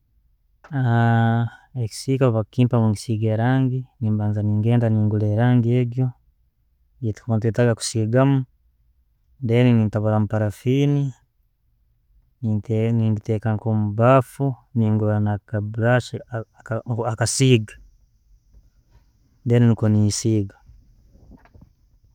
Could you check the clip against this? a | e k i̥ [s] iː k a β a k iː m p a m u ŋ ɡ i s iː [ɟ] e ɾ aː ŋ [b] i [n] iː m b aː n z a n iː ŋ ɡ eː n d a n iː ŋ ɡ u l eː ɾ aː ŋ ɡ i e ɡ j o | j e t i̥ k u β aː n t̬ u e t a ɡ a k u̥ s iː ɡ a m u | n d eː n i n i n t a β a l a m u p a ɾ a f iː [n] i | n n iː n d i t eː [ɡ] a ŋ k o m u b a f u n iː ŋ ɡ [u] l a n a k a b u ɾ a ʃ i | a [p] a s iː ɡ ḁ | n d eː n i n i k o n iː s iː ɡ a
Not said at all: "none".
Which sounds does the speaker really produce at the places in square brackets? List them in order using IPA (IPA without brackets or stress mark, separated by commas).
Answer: s, ɡ, ɡ, n, n, k, u, k